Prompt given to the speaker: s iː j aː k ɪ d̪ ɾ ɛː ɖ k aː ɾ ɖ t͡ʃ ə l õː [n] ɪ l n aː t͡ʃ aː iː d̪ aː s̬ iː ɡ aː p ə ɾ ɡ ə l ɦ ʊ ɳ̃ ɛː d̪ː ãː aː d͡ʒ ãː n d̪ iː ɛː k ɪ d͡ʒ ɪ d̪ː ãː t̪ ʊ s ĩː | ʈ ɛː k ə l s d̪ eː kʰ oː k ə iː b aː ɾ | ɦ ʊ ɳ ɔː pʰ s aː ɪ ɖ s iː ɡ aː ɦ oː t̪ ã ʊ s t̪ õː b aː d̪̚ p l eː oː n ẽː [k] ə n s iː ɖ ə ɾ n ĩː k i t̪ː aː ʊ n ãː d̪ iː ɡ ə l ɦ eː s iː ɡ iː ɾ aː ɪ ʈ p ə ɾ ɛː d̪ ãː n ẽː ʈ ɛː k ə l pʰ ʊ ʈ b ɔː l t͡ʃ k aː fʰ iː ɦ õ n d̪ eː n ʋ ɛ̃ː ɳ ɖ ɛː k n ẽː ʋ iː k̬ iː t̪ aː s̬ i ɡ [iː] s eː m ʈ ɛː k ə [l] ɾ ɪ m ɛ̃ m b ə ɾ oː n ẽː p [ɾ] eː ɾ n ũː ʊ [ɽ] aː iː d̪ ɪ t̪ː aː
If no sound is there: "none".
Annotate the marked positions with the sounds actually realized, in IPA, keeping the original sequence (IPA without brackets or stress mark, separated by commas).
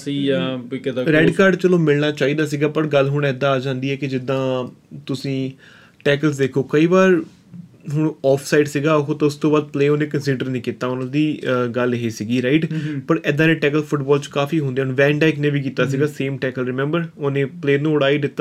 m, k, aː, l, l, ɽ